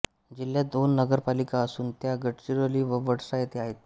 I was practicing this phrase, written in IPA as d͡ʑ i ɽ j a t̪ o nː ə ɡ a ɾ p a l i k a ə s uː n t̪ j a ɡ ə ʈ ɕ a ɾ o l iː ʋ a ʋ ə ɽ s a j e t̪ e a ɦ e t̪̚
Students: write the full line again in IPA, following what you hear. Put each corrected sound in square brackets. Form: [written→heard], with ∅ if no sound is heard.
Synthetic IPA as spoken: d͡ʑ i [ɽ→l] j a [t̪→d̪] o nː ə ɡ [a→ə] ɾ p a l i k a ə s uː n t̪ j a ɡ ə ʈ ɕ [a→i] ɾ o l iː ʋ [a→ə] ʋ ə ɽ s a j e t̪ e a ɦ e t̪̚